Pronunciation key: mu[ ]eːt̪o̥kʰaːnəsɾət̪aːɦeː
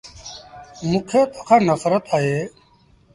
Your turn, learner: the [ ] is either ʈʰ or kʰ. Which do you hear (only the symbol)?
kʰ